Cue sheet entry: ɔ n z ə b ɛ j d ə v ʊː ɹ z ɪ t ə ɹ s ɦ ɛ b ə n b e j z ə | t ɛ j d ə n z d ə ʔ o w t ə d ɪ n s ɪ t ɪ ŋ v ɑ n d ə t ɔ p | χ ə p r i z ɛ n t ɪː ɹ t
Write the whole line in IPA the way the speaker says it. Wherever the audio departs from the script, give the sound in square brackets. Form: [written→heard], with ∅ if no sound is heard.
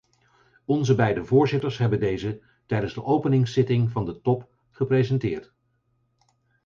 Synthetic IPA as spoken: ɔ n z ə b ɛ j d ə v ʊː ɹ z ɪ t ə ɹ s ɦ ɛ b ə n [b→d] e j z ə | t ɛ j d ə n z d ə ʔ o w [t→p] ə [d→n] ɪ [n→ŋ] s ɪ t ɪ ŋ v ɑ n d ə t ɔ p | χ ə p r [i→e] z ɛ n t ɪː ɹ t